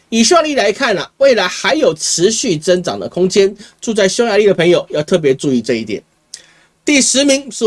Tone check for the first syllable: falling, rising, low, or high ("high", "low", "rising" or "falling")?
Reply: low